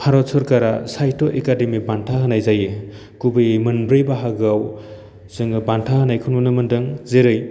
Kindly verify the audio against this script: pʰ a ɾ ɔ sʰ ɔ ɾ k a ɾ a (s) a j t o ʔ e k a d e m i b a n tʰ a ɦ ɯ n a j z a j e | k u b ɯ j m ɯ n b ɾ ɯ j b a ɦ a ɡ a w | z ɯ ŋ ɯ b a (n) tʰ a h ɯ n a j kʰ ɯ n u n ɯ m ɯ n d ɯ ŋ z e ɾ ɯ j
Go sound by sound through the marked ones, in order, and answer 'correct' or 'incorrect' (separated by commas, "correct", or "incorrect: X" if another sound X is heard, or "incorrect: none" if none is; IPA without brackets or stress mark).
correct, correct